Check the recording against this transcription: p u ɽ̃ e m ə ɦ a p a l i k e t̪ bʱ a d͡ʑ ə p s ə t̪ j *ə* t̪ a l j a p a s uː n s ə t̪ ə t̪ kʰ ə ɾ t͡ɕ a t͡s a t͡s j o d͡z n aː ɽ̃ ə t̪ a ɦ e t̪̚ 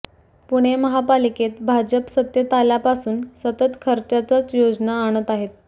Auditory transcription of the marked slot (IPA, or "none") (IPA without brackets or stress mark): ə